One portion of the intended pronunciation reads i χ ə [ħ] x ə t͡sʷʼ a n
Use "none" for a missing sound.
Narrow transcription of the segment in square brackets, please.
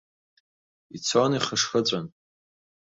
ʂ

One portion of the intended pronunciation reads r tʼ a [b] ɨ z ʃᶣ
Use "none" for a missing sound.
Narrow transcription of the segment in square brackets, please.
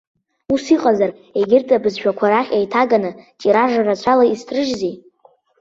b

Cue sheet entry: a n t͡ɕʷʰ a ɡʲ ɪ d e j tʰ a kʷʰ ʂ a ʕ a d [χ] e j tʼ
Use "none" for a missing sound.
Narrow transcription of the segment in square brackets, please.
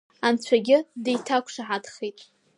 χ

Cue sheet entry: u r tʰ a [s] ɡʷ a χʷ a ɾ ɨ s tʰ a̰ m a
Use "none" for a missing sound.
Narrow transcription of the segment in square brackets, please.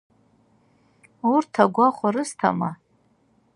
none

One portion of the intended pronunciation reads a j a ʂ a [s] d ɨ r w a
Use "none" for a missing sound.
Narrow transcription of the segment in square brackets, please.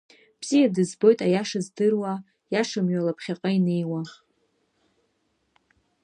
z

